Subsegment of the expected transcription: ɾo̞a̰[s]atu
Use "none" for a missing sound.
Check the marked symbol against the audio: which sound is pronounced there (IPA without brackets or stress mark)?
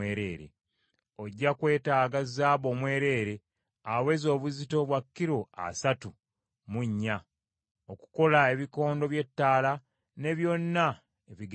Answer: s